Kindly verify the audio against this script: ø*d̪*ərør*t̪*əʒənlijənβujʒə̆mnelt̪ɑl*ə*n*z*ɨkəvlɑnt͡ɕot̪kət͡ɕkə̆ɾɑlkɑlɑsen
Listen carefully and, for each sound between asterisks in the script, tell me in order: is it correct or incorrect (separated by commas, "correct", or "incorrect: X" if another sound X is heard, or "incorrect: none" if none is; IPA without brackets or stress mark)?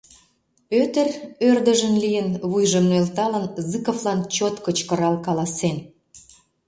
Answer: incorrect: t̪, incorrect: d̪, correct, correct